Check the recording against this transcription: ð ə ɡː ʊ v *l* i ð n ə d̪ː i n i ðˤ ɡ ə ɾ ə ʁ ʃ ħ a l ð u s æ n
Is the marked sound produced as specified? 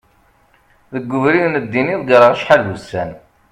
no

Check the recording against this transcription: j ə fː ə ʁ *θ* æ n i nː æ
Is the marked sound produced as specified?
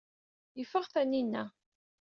yes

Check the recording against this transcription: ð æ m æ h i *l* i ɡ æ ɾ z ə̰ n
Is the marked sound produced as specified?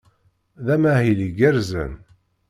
yes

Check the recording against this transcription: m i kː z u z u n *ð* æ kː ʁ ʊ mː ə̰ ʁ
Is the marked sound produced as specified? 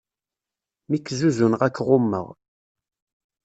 no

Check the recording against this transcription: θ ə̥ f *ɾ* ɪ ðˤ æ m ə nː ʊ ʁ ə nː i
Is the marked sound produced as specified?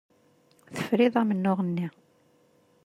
yes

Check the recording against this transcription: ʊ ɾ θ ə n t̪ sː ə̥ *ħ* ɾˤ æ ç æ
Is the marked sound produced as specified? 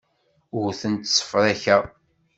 no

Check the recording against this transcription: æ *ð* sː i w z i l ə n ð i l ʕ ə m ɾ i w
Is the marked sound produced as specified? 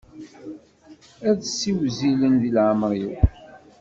yes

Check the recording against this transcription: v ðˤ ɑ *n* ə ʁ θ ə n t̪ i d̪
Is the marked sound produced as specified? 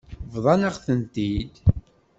yes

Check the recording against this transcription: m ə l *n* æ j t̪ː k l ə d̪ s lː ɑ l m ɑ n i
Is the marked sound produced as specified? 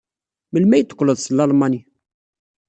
no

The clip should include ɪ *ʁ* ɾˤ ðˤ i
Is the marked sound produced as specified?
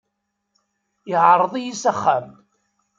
no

